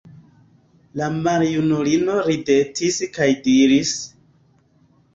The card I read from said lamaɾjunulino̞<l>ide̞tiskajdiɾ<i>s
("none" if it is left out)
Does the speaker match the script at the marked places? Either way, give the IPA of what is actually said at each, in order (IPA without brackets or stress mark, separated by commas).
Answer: ɾ, i